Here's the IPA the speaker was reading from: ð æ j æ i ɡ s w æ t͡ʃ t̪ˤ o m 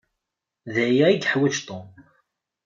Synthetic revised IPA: ð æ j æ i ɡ ħ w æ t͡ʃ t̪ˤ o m